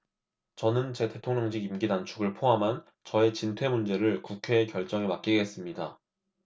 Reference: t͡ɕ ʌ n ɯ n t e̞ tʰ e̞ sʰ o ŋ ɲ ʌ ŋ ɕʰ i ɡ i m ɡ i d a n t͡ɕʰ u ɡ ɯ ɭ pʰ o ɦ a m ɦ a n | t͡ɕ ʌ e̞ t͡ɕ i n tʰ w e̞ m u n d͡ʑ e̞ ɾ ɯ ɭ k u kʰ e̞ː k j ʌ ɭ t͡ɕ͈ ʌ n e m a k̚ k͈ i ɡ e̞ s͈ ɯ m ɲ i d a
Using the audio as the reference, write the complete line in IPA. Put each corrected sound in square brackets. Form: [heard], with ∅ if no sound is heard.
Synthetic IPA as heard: t͡ɕ ʌ n ɯ n [t͡ɕ] e̞ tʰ e̞ [tʰ] o ŋ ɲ ʌ ŋ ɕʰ i ɡ i m ɡ i d a n t͡ɕʰ u ɡ ɯ ɭ pʰ o ɦ a m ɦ a n | t͡ɕ ʌ e̞ t͡ɕ i n tʰ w e̞ m u n d͡ʑ e̞ ɾ ɯ ɭ k u kʰ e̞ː k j ʌ ɭ t͡ɕ͈ ʌ [ŋ] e m a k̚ k͈ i ɡ e̞ s͈ ɯ m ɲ i d a